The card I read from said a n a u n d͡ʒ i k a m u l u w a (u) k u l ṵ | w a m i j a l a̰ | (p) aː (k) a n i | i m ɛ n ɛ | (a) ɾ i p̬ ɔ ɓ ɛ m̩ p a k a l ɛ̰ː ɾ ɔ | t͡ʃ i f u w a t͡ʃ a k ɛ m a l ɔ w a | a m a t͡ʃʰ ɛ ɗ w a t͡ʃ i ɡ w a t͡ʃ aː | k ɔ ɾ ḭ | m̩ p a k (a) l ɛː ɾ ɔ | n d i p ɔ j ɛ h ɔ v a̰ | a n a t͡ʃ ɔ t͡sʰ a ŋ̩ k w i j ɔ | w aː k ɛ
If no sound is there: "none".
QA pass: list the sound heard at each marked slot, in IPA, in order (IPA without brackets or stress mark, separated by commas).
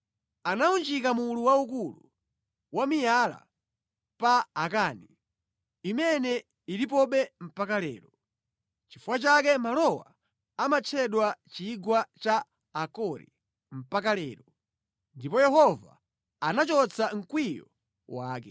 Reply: u, p, k, i, a